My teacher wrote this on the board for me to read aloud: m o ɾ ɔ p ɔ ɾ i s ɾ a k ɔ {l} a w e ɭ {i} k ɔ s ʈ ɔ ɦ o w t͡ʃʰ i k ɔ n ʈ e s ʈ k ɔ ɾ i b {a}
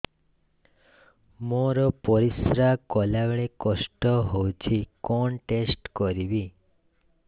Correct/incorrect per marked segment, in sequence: correct, incorrect: e, incorrect: i

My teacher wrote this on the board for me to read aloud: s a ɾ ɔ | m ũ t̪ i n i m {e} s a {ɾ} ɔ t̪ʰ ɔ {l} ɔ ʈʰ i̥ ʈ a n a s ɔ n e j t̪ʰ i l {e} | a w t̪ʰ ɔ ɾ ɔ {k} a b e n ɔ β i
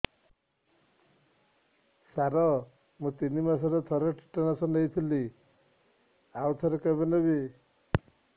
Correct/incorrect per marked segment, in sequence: incorrect: a, correct, incorrect: ɾ, incorrect: i, correct

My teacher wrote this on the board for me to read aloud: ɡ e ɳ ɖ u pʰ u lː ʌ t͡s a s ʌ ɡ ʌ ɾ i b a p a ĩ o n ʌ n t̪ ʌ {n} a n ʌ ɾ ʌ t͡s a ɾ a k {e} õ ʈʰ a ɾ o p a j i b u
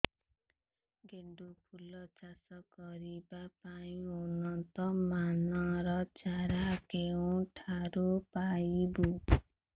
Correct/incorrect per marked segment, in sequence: incorrect: m, correct

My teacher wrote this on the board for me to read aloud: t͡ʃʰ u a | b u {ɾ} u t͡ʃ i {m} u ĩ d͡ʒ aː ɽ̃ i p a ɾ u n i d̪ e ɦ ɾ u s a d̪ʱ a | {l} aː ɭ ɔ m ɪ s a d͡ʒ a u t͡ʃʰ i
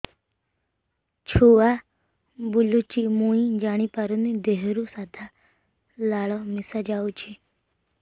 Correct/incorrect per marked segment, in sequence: incorrect: l, correct, correct

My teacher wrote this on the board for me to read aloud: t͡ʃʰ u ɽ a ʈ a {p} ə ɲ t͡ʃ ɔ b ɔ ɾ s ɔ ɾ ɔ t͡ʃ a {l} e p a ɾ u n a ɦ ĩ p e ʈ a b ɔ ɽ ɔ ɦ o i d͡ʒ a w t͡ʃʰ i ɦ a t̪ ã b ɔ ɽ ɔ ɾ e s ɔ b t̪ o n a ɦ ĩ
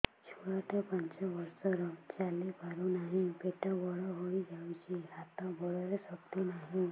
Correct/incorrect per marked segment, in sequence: correct, correct

